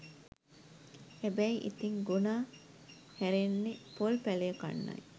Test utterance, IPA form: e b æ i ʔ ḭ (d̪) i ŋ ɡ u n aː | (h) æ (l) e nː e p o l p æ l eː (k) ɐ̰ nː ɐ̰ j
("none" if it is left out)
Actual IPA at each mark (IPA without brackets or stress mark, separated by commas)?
t̪, h, ɾ, k